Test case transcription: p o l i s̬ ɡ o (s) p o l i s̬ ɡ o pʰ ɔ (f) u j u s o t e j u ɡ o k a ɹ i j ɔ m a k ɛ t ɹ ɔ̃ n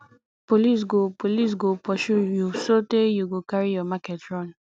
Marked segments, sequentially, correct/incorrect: incorrect: none, incorrect: ʃ

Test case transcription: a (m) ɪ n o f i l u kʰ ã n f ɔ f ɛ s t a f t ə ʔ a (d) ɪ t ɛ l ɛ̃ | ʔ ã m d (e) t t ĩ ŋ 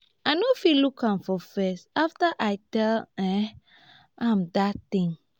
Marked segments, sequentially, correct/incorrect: incorrect: none, incorrect: none, incorrect: a

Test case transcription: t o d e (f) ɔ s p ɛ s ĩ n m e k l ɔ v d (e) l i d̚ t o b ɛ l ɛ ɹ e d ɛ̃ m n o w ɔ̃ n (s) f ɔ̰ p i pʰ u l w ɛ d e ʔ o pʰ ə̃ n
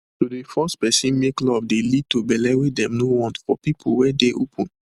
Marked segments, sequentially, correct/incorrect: correct, correct, incorrect: t

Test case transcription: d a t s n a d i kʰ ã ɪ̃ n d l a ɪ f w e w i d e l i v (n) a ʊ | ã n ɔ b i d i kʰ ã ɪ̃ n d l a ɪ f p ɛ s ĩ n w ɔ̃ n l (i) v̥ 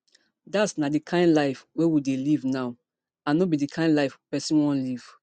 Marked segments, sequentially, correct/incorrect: correct, correct

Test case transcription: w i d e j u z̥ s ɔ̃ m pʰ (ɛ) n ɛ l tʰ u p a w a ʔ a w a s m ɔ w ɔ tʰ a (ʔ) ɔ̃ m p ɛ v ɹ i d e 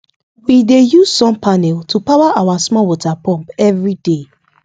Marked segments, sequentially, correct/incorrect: incorrect: a, incorrect: p

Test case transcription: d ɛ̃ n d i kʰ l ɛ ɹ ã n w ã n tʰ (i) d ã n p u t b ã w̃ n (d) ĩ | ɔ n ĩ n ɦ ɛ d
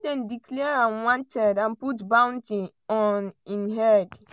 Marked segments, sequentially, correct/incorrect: incorrect: ɛ, incorrect: t

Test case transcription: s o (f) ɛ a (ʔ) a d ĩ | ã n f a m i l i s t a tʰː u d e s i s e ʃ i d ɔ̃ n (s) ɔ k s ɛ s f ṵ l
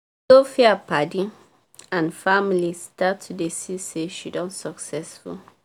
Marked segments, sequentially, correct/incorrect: correct, incorrect: p, correct

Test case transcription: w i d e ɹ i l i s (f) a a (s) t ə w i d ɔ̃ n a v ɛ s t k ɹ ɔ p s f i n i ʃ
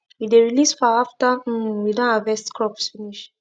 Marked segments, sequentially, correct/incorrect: correct, incorrect: f

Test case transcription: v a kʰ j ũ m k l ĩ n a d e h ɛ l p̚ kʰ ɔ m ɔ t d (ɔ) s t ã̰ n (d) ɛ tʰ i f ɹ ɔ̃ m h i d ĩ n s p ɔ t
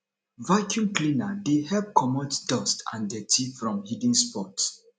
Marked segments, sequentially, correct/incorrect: correct, correct

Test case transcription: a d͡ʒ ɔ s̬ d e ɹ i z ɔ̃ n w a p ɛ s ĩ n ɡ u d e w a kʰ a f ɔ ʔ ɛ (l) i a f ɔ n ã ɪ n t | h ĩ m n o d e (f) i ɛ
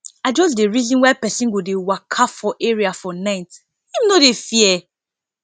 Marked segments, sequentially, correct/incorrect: incorrect: ɹ, correct

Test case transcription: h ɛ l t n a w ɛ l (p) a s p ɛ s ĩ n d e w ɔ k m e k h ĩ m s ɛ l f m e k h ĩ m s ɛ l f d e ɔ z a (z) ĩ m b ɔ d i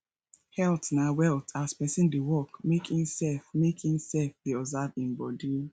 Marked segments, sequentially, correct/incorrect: incorrect: t, incorrect: v

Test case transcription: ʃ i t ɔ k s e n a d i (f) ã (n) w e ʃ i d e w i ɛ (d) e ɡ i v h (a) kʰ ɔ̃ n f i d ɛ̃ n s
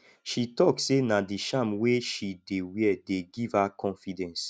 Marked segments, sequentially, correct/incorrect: incorrect: ʃ, incorrect: m, correct, correct

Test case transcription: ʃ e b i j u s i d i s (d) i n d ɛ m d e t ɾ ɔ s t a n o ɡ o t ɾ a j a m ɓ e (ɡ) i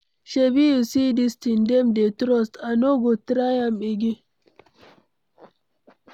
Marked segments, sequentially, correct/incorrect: incorrect: t, correct

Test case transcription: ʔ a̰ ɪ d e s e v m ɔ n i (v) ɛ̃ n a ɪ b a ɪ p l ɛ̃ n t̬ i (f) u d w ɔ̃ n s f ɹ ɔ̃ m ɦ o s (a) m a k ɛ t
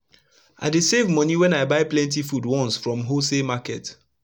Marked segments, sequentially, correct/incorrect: incorrect: w, correct, incorrect: e

